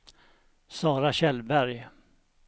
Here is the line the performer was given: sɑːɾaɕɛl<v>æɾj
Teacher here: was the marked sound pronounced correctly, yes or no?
no